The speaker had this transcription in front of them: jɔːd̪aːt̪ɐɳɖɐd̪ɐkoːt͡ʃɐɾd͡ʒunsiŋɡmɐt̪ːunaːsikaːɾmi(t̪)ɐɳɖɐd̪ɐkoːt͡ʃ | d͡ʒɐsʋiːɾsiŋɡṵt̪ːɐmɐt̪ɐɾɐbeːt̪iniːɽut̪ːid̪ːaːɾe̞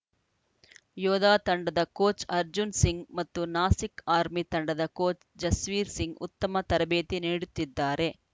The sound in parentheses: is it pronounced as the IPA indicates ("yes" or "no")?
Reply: yes